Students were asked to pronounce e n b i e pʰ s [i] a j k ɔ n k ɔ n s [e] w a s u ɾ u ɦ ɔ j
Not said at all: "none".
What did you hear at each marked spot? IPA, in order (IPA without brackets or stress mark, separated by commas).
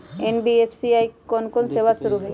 i, e